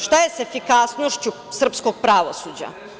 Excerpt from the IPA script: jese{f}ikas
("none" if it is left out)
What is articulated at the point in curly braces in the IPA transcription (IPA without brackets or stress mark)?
f